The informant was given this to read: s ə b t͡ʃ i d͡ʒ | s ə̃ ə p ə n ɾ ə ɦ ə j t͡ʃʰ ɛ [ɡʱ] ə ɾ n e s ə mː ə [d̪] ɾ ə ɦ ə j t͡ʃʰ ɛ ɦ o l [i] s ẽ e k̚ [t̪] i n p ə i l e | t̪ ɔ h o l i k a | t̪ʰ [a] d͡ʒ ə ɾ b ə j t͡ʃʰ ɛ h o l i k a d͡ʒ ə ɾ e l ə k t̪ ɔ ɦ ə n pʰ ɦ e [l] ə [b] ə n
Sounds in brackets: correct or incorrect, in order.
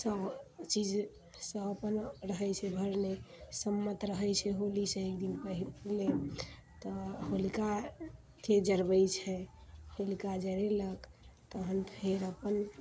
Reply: incorrect, incorrect, correct, incorrect, incorrect, incorrect, incorrect

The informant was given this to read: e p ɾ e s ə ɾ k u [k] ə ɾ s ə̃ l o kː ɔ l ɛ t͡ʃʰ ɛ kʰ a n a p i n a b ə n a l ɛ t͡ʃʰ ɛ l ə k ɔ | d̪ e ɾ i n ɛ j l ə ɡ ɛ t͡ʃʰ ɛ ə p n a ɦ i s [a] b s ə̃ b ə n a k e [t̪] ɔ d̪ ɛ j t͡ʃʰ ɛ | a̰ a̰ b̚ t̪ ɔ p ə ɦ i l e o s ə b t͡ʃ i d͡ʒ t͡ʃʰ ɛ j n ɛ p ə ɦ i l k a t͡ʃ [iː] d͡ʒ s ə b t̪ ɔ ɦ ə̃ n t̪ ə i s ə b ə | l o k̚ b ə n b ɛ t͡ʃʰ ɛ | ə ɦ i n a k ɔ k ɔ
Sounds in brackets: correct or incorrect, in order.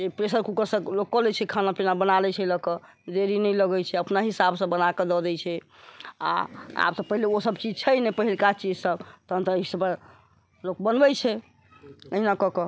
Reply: correct, correct, incorrect, incorrect

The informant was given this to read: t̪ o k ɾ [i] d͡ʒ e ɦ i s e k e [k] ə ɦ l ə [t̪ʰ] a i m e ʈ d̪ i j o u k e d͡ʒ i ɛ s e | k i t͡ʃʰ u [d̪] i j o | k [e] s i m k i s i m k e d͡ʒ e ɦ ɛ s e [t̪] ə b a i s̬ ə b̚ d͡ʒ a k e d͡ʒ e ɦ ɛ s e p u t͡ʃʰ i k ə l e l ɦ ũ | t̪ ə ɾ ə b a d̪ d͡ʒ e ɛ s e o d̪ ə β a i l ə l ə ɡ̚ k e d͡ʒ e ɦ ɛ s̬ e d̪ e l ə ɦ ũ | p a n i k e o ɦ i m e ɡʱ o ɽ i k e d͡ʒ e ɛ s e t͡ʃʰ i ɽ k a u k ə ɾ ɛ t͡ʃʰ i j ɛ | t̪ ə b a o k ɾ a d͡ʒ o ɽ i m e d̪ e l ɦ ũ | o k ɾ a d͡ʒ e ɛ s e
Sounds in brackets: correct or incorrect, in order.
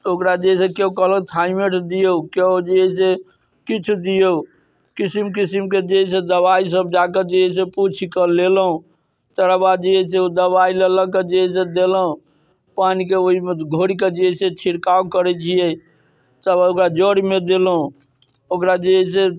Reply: incorrect, correct, correct, correct, incorrect, incorrect

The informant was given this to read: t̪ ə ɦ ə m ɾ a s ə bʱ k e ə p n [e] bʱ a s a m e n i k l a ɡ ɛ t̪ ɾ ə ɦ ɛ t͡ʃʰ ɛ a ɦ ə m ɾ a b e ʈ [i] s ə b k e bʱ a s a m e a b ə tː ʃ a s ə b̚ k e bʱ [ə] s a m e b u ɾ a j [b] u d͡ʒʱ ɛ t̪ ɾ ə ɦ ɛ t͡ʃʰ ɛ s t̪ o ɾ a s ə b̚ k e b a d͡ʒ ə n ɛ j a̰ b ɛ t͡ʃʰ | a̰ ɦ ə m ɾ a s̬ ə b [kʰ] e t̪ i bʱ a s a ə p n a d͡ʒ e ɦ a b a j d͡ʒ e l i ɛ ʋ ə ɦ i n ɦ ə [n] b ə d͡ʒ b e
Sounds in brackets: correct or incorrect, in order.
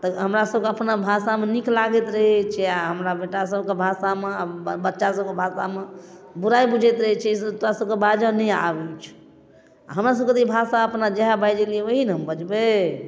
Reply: incorrect, incorrect, incorrect, correct, incorrect, incorrect

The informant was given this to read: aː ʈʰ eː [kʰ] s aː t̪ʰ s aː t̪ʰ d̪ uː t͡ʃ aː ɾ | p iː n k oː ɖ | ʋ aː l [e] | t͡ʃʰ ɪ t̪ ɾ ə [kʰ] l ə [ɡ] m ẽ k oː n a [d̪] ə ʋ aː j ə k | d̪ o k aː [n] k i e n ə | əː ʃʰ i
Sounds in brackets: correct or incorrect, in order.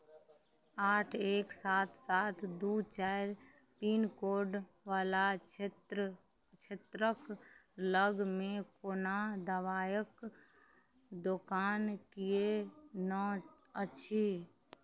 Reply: incorrect, incorrect, incorrect, correct, correct, correct

